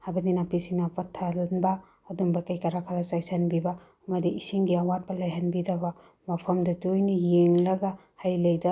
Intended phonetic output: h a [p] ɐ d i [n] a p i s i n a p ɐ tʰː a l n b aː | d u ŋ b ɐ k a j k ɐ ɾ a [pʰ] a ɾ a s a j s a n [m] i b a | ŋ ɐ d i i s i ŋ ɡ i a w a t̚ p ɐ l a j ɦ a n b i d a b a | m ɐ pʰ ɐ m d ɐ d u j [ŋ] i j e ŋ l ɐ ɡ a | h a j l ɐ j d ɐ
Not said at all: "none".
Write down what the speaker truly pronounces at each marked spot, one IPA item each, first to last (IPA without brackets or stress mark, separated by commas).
b, n, kʰ, b, n